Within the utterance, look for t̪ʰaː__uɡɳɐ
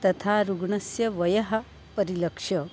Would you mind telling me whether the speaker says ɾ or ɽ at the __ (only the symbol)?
ɾ